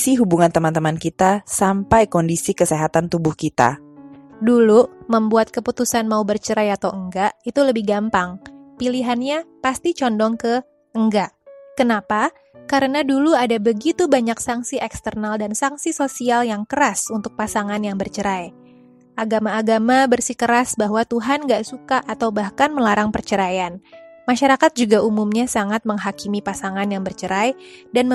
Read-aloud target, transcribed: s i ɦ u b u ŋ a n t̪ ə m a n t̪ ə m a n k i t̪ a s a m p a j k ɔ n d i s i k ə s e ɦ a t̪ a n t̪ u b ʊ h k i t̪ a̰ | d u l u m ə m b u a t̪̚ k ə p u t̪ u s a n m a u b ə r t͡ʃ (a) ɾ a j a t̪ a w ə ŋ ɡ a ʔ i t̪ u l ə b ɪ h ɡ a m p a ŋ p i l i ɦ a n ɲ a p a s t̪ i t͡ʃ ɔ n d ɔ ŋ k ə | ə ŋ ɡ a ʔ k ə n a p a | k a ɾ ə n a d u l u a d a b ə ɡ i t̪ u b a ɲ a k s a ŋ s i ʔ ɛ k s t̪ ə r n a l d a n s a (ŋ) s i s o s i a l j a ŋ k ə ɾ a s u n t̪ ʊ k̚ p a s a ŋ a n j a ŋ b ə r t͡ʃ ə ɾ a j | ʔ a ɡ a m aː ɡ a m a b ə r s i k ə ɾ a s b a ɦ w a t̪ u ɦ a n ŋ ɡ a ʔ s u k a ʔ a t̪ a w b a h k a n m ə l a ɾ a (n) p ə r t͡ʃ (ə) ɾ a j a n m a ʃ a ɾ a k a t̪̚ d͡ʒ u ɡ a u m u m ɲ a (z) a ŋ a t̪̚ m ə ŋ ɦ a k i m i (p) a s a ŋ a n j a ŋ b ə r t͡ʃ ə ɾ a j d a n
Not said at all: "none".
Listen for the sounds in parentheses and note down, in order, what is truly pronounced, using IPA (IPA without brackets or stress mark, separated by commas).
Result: ə, ŋ, ŋ, ə, s, p